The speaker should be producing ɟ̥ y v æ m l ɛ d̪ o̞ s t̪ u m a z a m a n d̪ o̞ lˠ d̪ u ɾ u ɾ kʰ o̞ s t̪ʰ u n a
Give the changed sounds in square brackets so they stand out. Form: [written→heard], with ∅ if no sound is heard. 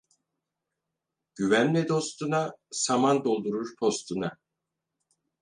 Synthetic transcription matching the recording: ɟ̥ y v æ [m→n] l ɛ d̪ o̞ s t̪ u [m→n] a [z→s] a m a n d̪ o̞ lˠ d̪ u ɾ u ɾ [kʰ→pʰ] o̞ s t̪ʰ u n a